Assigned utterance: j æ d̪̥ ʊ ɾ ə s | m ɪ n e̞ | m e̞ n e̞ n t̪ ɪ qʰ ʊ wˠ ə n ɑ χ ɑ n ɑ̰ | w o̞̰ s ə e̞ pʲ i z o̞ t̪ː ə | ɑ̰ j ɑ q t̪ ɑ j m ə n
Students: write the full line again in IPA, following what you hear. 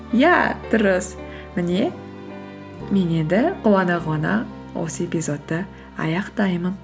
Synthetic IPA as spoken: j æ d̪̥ ʊ ɾ ə s | m ɪ n e̞ | m e̞ n e̞ n d̪ ɪ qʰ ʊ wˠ ɑ n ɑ ʁ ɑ n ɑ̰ | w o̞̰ s ə e̞ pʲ i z o̞ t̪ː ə | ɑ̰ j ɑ q t̪ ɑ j m ə n